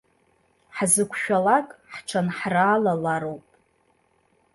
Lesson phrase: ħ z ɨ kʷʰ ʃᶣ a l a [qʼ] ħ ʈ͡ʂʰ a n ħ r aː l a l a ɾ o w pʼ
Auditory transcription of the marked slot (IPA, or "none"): kʼ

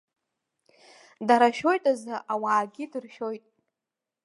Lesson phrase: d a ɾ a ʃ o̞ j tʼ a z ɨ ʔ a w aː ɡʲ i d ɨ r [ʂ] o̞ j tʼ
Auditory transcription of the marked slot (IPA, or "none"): ʃ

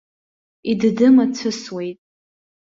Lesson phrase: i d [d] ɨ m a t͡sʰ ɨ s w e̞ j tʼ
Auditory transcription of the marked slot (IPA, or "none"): d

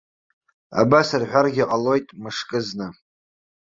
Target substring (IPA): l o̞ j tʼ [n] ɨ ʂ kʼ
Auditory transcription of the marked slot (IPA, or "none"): m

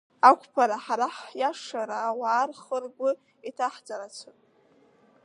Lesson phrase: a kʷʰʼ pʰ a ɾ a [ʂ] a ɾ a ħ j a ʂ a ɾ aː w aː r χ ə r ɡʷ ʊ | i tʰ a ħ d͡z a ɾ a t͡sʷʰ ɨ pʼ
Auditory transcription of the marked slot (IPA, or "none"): ħ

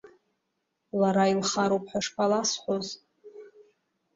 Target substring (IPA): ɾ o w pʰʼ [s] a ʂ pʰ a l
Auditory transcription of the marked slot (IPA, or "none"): ħ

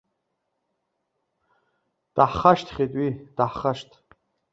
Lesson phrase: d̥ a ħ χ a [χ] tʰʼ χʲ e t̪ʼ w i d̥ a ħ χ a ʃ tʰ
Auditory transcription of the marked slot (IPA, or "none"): ʃ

